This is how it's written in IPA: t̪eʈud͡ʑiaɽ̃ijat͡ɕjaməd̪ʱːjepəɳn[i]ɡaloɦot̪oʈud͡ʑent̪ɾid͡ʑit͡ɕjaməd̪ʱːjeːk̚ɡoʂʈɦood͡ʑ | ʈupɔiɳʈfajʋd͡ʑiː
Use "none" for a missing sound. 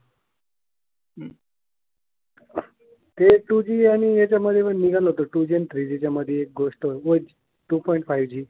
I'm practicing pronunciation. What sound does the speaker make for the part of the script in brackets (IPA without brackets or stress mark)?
i